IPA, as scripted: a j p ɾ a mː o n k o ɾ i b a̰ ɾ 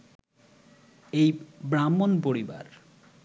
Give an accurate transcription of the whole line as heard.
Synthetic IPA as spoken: e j b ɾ a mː o n p o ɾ i b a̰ ɾ

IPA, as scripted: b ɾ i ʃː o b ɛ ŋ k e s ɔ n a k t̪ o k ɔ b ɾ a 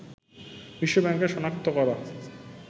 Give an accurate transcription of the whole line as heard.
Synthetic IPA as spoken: b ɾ i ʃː o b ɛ ŋ k e ʃ ɔ n a k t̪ o k ɔ ɾ a

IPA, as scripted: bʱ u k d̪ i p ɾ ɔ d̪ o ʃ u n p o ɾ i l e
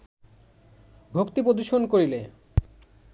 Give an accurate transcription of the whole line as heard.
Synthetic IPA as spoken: bʱ o k t̪ i p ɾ o d̪ u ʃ o n k o ɾ i l e

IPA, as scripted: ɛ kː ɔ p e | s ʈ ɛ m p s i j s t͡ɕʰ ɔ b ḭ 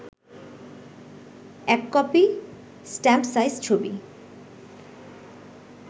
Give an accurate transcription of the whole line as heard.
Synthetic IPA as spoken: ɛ kː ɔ p i | s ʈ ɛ m p s a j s t͡ɕʰ o b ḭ

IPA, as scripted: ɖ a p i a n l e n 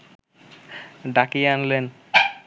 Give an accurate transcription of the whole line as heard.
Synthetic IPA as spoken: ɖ a k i a n l e n

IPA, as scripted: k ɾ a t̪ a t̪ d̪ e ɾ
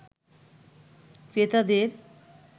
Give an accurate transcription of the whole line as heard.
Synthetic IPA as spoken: k ɾ e t̪ a d̪ e ɾ

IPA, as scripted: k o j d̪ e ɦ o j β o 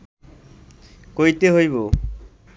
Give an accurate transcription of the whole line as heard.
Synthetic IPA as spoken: k o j t̪ e ɦ o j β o

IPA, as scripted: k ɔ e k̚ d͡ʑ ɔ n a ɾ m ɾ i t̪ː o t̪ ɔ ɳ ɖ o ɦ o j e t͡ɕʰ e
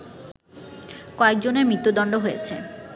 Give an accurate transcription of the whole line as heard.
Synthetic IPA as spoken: k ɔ e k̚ d͡ʑ o n e ɾ m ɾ i t̪ː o d̪ ɔ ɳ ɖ o ɦ o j e t͡ɕʰ e

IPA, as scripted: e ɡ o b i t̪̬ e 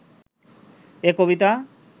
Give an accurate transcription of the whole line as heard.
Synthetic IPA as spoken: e k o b i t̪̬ a

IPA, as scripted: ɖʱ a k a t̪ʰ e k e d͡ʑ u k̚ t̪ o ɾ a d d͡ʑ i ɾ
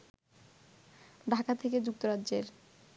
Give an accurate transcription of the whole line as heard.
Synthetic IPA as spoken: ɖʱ a k a t̪ʰ e k e d͡ʑ u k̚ t̪ o ɾ a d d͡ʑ e ɾ

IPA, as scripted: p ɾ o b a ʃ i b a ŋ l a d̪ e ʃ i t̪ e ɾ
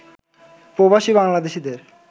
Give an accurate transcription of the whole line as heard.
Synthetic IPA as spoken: p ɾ o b a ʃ i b a ŋ l a d̪ e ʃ i d̪ e ɾ

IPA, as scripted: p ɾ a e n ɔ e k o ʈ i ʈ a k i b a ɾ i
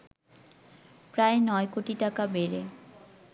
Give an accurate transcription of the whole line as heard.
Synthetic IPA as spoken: p ɾ a e n ɔ e k o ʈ i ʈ a k a b e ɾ e

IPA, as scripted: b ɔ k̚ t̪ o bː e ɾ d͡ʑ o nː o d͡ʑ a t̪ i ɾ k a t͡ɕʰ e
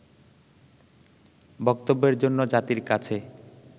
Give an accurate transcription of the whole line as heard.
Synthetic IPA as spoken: b ɔ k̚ t̪ o bː e ɾ d͡ʑ o nː o d͡ʑ a t̪ i ɾ k a t͡ɕʰ e

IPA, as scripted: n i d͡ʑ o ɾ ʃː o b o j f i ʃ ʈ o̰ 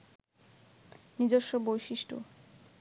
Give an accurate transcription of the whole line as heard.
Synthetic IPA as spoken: n i d͡ʑ o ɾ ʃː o b o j ʃ i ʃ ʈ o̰

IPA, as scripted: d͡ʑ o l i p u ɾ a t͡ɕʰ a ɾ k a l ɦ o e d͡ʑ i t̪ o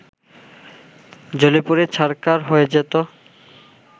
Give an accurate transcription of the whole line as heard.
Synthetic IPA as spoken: d͡ʑ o l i p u ɾ e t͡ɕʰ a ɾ k a ɾ ɦ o e d͡ʑ e t̪ o

